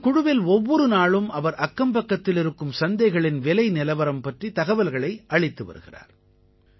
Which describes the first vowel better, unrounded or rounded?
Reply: rounded